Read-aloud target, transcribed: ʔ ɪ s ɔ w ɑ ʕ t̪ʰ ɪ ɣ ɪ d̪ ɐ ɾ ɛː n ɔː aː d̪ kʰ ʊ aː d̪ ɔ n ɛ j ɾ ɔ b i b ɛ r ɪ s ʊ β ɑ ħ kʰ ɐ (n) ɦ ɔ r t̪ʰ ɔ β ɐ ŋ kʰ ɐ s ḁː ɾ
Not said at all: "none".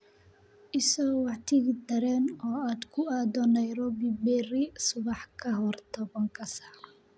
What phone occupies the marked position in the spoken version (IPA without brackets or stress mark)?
none